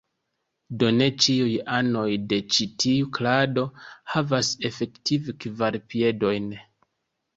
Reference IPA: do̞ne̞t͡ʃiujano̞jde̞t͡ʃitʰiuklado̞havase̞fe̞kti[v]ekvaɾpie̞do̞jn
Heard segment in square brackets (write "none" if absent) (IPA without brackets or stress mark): v